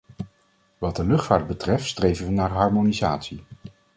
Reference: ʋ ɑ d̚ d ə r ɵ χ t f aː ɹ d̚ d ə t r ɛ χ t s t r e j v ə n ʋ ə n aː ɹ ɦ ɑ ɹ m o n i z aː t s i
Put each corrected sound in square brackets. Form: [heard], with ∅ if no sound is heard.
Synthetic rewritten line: ʋ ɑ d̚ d ə [l] ɵ χ t f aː ɹ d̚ [b] ə t r ɛ [f] t s t r e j v ə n ʋ ə n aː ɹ ɦ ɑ ɹ m o n i z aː t s i